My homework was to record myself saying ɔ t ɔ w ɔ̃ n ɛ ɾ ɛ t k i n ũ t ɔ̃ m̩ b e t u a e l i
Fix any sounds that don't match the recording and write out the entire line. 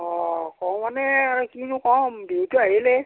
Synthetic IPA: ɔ k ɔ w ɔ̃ n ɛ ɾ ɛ k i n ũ k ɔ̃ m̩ b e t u a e l e